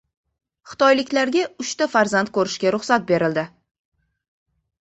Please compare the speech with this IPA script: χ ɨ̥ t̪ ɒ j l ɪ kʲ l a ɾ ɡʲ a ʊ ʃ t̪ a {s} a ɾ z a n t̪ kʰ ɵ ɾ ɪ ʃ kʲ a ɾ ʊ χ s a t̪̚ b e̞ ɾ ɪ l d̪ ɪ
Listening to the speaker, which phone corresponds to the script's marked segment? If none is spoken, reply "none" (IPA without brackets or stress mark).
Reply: f